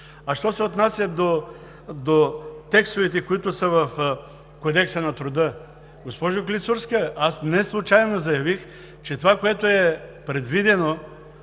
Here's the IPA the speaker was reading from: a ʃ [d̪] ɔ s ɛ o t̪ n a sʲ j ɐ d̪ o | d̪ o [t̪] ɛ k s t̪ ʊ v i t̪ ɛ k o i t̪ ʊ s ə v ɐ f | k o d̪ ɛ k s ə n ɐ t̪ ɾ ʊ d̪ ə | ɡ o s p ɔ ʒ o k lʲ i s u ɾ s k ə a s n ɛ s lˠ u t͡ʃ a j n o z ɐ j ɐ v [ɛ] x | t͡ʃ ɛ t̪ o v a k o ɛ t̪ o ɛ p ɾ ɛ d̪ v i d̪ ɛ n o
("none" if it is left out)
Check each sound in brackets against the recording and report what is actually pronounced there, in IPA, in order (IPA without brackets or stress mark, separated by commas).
t̪, t̪, i